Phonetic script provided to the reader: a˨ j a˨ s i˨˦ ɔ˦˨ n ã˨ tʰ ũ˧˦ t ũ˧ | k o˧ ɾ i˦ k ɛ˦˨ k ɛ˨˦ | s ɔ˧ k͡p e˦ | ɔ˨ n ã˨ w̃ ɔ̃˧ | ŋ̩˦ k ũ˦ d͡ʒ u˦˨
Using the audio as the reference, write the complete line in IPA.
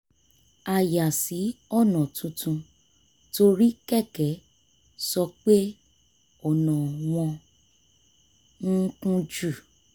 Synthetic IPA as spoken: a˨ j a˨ s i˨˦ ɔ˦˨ n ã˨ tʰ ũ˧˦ t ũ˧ | t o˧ ɾ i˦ k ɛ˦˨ k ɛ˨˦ | s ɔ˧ k͡p e˦ | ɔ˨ n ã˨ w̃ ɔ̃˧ | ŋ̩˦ k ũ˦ d͡ʒ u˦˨